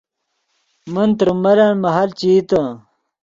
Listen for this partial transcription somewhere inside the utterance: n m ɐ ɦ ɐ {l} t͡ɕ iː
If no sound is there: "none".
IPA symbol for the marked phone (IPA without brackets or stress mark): l